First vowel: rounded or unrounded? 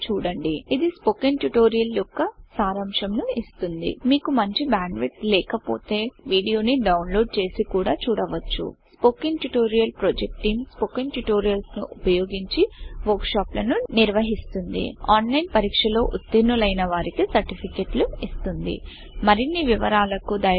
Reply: rounded